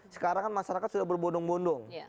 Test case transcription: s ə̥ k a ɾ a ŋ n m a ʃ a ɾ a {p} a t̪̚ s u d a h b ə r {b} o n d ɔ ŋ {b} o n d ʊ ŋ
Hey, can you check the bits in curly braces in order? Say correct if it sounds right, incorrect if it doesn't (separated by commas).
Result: incorrect, correct, correct